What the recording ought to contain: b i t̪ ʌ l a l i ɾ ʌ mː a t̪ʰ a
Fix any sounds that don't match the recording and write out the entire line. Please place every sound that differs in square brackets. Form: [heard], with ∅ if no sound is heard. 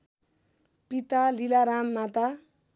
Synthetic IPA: [p] i t̪ [a] l [i] l [a] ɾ [a] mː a [t̪] a